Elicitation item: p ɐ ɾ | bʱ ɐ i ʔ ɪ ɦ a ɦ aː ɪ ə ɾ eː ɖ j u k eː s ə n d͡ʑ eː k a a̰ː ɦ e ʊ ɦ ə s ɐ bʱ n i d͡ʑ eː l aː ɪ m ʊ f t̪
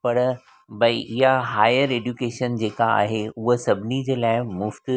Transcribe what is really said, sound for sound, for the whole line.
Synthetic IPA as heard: p ɐ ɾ | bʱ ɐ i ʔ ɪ ɦ a ɦ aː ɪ ə ɾ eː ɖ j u k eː ʃ ə n d͡ʑ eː k a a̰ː ɦ e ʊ ɦ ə s ɐ bʱ n i d͡ʑ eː l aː ɪ m ʊ f t̪

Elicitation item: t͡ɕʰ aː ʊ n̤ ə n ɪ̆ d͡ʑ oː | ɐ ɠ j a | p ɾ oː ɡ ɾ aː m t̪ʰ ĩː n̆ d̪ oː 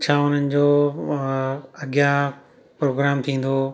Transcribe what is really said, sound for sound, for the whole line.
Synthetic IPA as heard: t͡ɕʰ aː ʊ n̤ ə n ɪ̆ d͡ʑ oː | ɐ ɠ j a | p ɾ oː ɡ ɾ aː m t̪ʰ ĩː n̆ d̪ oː

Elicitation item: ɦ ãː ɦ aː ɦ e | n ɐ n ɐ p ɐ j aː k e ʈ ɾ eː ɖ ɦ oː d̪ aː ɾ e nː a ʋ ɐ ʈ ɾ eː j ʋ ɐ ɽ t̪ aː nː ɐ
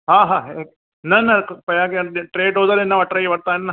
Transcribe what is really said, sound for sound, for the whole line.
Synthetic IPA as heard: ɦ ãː ɦ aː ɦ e | n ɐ n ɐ p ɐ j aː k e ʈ ɾ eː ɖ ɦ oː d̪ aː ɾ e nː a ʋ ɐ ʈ ɾ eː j ʋ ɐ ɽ t̪ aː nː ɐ

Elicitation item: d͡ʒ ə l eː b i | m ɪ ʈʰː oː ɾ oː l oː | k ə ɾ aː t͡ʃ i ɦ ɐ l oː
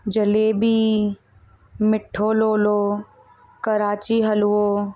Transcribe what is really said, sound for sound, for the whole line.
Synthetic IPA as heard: d͡ʒ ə l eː b i | m ɪ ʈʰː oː l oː l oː | k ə ɾ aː t͡ʃ i ɦ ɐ l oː

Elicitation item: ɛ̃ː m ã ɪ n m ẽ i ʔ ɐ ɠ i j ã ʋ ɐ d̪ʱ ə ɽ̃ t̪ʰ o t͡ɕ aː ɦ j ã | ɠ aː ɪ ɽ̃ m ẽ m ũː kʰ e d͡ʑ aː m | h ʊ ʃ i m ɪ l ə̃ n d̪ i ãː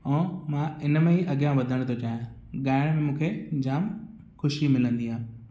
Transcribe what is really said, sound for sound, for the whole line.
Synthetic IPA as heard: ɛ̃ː m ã ɪ n m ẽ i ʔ ɐ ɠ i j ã ʋ ɐ d̪ʱ ə ɽ̃ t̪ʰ o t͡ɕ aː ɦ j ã | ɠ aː ɪ ɽ̃ m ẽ m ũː kʰ e d͡ʑ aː m | x ʊ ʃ i m ɪ l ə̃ n d̪ i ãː

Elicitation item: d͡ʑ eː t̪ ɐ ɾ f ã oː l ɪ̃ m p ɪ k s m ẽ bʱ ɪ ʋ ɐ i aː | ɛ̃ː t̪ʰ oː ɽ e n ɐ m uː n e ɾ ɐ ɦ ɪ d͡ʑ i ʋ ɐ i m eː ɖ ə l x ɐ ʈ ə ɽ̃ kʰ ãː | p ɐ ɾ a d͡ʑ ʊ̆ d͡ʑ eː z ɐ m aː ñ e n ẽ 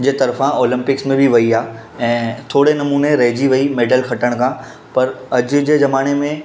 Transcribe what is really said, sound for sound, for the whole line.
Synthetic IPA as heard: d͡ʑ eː t̪ ɐ ɾ f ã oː l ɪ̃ m p ɪ k s m ẽ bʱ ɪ ʋ ɐ i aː | ɛ̃ː t̪ʰ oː ɽ e n ɐ m uː n e ɾ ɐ ɦ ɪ d͡ʑ i ʋ ɐ i m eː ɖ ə l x ɐ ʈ ə ɽ̃ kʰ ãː | p ɐ ɾ ɐ d͡ʑ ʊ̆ d͡ʑ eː z ɐ m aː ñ e m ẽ

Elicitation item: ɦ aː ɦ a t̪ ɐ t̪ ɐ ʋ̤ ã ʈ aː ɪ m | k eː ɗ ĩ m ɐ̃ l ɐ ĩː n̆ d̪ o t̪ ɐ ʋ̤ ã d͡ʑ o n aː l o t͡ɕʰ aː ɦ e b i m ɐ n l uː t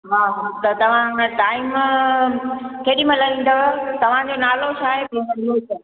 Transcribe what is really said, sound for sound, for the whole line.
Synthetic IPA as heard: ɦ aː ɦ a t̪ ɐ t̪ ɐ ʋ̤ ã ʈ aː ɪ m | k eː ɗ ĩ m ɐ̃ l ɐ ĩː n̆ d̪ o t̪ ɐ ʋ̤ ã d͡ʑ o n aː l o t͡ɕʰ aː ɦ e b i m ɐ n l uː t

